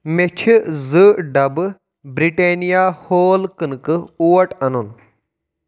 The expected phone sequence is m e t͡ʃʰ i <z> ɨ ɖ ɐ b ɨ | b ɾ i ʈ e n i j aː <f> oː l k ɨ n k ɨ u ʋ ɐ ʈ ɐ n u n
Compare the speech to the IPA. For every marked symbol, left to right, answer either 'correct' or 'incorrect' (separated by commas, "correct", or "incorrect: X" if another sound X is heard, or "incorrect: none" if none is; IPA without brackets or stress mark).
correct, incorrect: h